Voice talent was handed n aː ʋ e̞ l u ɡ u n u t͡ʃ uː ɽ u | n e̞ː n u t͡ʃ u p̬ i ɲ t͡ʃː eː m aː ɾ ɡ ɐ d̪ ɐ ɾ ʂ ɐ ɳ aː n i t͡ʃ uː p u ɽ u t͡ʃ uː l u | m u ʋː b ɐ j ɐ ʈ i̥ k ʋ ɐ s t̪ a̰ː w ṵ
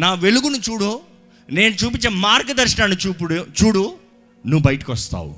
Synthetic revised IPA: n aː ʋ e̞ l u ɡ u n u t͡ʃ uː ɽ u | n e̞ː n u t͡ʃ uː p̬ i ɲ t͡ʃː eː m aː ɾ ɡ ɐ d̪ ɐ ɾ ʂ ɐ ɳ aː n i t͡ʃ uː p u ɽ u t͡ʃ uː ɽ u | n u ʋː b ɐ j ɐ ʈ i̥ k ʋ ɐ s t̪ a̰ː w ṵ